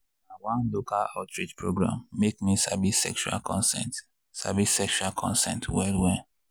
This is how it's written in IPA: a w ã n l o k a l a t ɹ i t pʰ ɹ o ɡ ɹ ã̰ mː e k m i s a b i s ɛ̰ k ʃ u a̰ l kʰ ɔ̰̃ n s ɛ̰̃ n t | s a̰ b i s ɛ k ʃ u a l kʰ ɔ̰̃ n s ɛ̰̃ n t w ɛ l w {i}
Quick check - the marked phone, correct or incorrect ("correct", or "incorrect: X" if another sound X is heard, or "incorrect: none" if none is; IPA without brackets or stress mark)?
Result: incorrect: ɛ